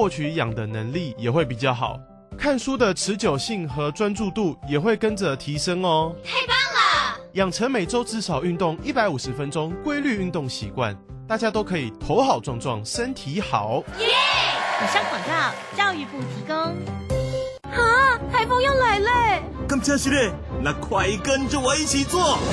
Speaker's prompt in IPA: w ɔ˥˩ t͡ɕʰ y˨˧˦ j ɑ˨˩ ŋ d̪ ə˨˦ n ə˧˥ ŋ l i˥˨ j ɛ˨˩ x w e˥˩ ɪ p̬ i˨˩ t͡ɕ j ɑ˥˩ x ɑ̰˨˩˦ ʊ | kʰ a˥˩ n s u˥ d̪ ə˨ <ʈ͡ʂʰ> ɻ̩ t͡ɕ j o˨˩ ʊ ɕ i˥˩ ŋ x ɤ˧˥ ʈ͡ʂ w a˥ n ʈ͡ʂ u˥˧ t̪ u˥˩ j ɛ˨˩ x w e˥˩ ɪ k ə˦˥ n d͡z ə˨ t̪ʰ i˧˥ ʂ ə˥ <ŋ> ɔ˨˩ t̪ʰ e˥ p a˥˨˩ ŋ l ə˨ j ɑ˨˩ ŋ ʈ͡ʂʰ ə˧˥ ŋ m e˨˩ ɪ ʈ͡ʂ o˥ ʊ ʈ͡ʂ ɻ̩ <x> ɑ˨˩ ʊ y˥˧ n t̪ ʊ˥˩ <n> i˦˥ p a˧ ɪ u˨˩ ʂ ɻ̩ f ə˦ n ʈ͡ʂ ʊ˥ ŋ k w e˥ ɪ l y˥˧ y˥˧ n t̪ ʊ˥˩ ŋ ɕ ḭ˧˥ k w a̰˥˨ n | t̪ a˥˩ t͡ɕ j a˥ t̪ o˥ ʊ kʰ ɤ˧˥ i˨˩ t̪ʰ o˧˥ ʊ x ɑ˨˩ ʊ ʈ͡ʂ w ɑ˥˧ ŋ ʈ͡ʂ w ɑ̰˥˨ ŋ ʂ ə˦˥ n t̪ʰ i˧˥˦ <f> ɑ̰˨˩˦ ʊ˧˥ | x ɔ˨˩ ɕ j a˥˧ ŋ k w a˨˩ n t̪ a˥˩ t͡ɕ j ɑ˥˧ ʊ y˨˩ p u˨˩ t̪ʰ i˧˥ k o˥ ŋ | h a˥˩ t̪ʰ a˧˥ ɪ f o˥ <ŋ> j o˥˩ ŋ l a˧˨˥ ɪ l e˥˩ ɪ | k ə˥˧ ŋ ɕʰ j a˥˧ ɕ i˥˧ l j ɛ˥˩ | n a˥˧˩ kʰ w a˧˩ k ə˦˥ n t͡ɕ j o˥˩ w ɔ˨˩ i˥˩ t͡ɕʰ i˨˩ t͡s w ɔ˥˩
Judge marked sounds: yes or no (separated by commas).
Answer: yes, yes, no, no, no, yes